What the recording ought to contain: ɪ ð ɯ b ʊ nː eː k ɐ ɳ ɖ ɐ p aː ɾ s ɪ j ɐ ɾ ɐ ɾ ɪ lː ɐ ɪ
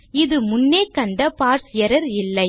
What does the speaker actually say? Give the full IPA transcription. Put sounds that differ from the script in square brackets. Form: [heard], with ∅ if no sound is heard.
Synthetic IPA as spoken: ɪ ð ɯ [m] ʊ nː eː k ɐ ɳ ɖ ɐ p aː ɾ s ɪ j ɐ ɾ ɐ ɾ ɪ lː ɐ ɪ